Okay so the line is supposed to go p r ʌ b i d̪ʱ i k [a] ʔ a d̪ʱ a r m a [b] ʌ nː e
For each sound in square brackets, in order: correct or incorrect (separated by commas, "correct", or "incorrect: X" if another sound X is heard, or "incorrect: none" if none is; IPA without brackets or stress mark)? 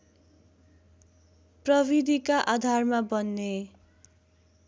correct, correct